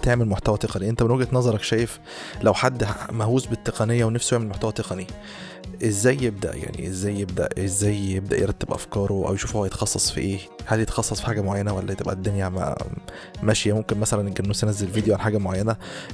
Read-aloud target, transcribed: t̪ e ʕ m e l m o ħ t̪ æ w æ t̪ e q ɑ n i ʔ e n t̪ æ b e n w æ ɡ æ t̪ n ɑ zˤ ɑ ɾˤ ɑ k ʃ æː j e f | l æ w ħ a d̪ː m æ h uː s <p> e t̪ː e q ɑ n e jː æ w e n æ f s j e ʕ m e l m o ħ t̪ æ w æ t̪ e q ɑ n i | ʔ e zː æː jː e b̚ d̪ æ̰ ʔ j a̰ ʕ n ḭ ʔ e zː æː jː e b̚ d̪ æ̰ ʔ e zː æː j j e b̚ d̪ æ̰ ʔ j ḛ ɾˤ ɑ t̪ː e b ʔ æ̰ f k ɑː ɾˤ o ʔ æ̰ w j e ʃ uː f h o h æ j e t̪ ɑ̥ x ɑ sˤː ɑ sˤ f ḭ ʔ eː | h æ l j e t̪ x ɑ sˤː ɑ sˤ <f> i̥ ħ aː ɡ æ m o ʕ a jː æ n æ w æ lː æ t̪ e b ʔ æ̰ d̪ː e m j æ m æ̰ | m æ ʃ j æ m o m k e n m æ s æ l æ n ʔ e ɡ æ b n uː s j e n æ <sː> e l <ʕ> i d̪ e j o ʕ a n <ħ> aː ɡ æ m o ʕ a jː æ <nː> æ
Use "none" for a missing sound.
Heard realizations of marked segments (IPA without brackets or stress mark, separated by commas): b, f, zː, v, ħ, n